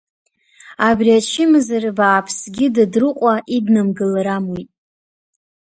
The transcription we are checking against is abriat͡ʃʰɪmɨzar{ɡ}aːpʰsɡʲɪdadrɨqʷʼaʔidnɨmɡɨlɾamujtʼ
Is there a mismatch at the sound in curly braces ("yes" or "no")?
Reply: yes